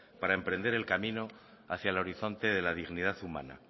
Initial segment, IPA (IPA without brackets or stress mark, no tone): p